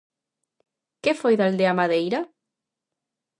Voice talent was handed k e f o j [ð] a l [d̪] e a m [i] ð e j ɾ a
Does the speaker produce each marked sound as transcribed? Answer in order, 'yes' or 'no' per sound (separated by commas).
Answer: yes, yes, no